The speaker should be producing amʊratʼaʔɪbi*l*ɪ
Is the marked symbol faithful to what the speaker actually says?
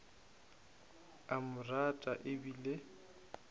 yes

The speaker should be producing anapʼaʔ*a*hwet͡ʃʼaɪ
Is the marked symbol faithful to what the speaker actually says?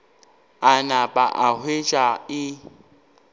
yes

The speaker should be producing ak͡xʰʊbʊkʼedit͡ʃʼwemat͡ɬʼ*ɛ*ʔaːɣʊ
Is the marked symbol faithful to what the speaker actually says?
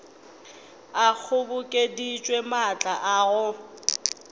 no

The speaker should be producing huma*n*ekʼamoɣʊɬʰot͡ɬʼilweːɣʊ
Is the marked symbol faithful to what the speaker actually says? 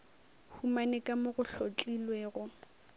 yes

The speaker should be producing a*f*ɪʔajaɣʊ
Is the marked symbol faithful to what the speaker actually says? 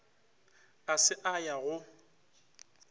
no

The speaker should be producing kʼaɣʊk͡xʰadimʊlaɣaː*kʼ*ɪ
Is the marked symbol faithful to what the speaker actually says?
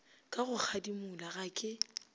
yes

